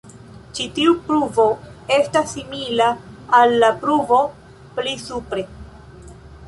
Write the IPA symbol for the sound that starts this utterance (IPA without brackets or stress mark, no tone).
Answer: t͡ʃ